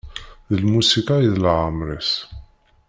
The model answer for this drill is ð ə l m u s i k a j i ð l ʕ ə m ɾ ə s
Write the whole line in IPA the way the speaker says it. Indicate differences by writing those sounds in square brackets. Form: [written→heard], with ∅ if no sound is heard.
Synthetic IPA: ð ə l m u s i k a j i ð l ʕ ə m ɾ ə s